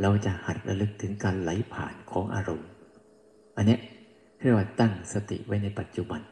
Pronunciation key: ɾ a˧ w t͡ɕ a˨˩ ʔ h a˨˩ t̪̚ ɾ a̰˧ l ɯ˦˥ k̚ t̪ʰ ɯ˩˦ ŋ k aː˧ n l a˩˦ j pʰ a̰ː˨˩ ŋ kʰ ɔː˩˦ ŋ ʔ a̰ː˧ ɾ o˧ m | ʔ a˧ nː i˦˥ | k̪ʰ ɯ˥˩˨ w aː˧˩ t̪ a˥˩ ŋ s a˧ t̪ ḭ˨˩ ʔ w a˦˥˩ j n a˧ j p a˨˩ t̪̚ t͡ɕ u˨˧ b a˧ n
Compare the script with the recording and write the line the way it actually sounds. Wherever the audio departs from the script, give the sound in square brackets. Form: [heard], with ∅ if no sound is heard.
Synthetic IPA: ɾ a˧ w t͡ɕ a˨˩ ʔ h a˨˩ t̪̚ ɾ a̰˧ l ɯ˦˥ k̚ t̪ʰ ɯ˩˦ ŋ k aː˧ n l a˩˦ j pʰ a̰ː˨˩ [n] kʰ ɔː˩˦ ŋ ʔ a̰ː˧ ɾ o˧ m | ʔ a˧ nː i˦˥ | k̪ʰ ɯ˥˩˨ w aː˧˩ t̪ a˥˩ ŋ s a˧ t̪ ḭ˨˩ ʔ w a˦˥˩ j n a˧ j p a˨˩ t̪̚ t͡ɕ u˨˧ b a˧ n